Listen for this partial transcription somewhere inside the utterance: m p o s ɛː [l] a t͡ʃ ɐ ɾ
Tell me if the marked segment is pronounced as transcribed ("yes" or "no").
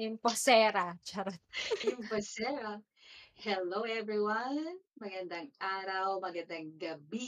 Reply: no